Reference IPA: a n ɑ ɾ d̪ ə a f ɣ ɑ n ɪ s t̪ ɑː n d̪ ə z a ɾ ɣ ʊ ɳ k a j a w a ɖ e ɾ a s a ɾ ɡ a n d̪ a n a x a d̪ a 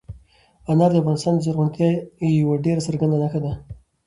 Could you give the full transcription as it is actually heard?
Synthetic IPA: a n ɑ ɾ d̪ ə a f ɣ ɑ n ɪ s t̪ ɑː n d̪ ə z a ɾ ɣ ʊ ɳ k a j a w a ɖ e ɾ a s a ɾ ɡ a n d̪ a n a x a d̪ a